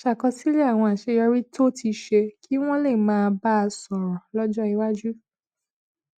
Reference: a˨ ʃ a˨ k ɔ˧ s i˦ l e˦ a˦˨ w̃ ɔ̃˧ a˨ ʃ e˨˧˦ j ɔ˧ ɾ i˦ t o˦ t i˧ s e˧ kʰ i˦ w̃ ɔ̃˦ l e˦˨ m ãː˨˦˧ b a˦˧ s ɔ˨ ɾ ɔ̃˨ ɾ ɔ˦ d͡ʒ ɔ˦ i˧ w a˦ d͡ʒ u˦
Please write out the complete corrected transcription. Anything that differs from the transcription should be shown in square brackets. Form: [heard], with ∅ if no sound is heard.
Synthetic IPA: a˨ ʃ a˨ k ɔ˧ s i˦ l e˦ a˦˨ w̃ ɔ̃˧ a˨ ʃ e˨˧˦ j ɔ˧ ɾ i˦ t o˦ t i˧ [ʃ] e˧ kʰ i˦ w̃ ɔ̃˦ l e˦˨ m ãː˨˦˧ b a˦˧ s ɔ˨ ɾ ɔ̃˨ [l] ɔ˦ d͡ʒ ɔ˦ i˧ w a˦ d͡ʒ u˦